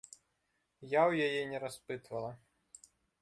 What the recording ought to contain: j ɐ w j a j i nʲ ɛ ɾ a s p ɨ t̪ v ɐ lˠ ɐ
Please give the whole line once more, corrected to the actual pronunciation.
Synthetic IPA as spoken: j a w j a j ɛ nʲ ɛ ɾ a s p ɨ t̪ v ɐ lˠ ɐ